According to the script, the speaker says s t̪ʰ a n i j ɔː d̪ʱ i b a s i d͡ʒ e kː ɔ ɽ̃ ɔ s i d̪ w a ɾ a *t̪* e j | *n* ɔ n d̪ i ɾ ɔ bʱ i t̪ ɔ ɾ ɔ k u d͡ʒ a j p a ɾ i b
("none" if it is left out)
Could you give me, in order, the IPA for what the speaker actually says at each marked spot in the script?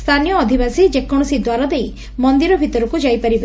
d̪, m

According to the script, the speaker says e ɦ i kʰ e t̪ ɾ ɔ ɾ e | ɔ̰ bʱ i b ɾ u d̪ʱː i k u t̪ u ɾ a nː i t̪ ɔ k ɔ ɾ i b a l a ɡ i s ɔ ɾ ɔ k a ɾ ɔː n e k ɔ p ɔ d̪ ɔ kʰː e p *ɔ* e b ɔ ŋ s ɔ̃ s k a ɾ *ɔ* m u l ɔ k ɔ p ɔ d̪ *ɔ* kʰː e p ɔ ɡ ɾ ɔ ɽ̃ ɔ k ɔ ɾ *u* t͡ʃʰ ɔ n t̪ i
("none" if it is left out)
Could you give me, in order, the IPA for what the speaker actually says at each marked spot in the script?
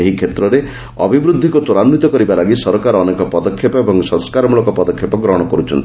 ɔ, ɔ, ɔ, u

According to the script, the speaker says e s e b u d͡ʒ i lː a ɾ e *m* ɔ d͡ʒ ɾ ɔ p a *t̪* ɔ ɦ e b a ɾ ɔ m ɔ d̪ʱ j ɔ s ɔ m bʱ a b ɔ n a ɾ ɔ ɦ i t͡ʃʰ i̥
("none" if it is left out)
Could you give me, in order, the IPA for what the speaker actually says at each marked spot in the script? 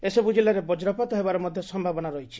b, t̪

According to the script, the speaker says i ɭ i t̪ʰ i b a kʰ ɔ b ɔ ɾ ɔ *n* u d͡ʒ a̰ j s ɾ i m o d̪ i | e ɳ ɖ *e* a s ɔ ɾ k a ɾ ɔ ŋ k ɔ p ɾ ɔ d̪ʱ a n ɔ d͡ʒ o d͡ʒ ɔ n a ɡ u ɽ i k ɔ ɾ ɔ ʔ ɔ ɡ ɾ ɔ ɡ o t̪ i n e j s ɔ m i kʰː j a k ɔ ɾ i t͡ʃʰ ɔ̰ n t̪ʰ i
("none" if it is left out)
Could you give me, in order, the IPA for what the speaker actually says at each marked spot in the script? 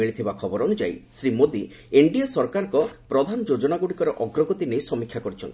n, i

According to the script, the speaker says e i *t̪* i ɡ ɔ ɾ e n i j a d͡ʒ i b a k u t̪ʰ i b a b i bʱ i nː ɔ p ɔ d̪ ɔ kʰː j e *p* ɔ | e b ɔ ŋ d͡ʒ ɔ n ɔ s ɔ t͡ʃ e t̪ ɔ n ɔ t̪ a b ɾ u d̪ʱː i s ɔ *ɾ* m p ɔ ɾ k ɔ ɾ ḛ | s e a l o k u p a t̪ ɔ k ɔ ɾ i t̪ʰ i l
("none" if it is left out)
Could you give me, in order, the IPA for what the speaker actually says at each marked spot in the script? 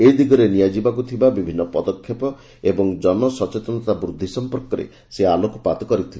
d̪, p, none

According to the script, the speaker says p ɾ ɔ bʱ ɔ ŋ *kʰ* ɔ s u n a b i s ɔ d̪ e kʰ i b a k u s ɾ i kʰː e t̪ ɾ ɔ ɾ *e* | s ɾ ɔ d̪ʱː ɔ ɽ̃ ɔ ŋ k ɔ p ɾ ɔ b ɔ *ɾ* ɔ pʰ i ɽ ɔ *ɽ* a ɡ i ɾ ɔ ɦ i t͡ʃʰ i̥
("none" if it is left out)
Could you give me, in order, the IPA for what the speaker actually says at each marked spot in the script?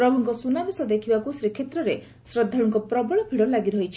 k, e, ɭ, l

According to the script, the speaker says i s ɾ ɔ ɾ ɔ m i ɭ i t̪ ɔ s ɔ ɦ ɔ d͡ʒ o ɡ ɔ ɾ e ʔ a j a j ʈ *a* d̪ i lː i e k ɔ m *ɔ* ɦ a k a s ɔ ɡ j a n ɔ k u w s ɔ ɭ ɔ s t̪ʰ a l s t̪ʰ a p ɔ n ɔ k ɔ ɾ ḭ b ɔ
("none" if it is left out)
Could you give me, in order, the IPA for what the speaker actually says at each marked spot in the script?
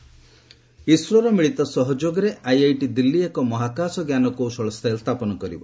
i, ɔ

